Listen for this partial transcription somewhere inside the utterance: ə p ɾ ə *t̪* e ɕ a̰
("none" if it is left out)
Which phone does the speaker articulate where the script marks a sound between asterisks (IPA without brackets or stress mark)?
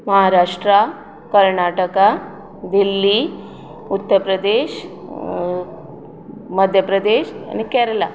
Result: d̪